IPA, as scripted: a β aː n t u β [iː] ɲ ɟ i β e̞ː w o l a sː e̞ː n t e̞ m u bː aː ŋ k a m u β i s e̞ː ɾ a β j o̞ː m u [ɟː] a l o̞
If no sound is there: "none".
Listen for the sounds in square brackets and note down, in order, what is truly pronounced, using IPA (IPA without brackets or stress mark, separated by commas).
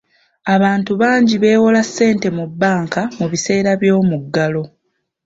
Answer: aː, ɡː